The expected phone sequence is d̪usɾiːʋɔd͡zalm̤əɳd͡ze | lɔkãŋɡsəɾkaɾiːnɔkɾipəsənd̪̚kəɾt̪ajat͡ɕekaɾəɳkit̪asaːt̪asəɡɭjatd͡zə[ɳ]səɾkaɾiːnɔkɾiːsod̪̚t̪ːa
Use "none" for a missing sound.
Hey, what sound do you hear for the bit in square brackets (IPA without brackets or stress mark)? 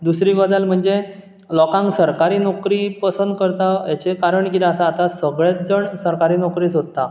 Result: ɳ